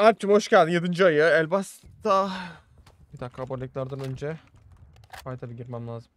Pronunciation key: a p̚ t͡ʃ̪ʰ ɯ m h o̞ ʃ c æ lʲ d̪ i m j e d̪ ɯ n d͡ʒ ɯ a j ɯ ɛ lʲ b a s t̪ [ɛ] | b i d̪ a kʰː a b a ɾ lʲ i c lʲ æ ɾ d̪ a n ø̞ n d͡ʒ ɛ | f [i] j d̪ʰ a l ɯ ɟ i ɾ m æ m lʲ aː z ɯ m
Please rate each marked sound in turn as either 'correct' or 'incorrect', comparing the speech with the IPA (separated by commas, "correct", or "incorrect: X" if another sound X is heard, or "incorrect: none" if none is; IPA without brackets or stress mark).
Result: incorrect: a, incorrect: a